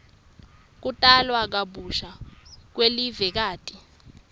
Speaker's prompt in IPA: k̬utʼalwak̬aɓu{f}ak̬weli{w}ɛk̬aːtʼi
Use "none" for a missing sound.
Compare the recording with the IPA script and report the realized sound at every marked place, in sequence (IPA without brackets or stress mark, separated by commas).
ʃ, v